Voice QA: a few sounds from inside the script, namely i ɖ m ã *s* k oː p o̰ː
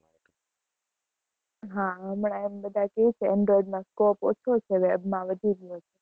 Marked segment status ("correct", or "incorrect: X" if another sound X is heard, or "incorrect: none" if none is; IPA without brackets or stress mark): correct